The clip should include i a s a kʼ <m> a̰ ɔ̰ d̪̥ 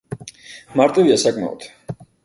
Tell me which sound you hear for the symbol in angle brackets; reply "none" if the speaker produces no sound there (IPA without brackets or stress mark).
m